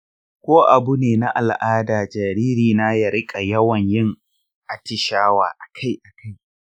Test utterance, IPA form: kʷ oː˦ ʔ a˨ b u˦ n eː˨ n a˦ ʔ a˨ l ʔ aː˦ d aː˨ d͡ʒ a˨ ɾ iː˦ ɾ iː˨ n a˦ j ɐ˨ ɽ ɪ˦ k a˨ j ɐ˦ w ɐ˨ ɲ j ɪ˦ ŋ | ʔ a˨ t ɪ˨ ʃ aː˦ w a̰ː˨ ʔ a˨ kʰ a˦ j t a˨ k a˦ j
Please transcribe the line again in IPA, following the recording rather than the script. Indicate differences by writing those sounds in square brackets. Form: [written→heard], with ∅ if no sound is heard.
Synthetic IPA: kʷ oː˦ ʔ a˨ b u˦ n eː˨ n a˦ ʔ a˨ l ʔ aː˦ d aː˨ d͡ʒ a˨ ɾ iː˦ ɾ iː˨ n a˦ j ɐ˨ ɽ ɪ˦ [k→kʼ] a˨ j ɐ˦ w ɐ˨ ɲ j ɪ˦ ŋ | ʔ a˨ t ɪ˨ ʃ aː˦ w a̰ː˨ ʔ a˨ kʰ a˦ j [t→ʔ] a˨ k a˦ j